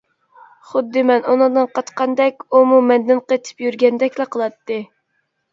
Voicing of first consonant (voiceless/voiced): voiceless